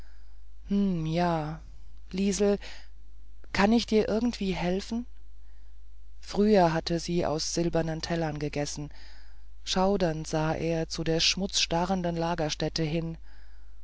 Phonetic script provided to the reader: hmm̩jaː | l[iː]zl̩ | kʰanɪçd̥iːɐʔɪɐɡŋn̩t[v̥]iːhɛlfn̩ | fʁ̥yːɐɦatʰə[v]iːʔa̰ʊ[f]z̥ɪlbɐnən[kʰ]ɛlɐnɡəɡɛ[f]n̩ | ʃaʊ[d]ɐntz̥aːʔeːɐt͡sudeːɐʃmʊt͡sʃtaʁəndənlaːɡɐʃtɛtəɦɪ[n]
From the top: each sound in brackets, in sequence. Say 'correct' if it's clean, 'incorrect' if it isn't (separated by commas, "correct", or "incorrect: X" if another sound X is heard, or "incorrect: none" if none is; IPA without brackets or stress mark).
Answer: correct, correct, incorrect: z, incorrect: s, incorrect: tʰ, incorrect: s, correct, correct